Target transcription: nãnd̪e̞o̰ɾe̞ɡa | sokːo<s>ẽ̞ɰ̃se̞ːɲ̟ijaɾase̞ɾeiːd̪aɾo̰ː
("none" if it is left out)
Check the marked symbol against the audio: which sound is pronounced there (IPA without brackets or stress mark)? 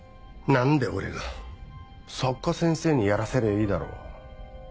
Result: s